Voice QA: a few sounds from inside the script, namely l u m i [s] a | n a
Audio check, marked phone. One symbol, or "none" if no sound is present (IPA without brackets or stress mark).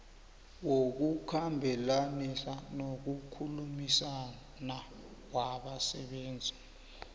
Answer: s